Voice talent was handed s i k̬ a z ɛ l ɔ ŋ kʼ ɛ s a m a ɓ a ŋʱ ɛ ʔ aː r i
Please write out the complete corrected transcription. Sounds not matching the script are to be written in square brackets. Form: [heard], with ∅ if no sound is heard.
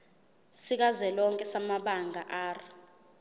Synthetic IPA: s i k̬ a z ɛ l ɔ ŋ kʼ ɛ s a m a ɓ a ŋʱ [a] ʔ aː r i